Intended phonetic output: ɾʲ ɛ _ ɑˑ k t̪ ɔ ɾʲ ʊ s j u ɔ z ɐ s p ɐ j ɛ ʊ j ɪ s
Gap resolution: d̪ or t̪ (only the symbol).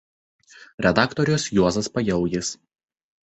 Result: d̪